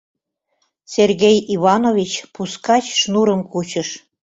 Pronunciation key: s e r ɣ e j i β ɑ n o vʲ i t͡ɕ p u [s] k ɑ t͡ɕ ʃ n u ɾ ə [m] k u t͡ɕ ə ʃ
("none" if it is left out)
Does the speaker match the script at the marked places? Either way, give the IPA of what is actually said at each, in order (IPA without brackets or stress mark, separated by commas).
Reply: s, m